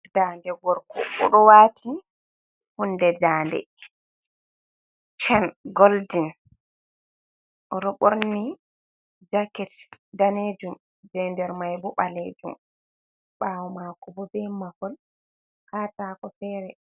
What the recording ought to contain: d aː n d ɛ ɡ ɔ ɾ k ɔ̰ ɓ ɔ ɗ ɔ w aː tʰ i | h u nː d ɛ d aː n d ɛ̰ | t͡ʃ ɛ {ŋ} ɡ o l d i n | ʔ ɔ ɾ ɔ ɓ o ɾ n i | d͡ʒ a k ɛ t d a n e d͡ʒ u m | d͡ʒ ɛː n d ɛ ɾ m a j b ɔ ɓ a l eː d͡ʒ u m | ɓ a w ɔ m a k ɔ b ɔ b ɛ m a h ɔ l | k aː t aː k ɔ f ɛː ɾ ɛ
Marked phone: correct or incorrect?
incorrect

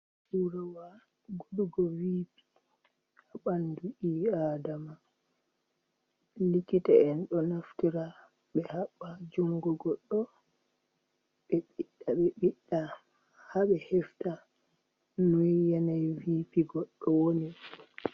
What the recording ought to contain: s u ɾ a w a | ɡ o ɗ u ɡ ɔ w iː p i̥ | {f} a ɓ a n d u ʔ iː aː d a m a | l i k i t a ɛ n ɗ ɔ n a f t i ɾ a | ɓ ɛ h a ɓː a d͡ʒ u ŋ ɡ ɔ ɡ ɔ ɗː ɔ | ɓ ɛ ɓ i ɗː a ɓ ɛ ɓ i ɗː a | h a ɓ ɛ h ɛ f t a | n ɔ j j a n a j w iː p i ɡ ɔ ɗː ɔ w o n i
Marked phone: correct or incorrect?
incorrect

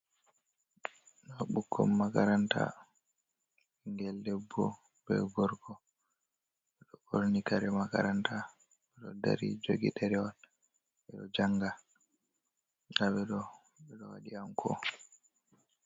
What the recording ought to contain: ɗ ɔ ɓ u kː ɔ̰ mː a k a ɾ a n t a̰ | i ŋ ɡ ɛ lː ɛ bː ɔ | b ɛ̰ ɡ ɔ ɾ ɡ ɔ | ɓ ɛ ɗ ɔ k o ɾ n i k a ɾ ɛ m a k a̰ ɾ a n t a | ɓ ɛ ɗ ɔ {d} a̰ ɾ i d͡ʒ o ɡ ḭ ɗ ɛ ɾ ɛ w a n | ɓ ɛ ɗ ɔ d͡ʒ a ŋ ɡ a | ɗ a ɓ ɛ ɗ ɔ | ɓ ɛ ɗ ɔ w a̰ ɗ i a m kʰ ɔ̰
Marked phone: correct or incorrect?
correct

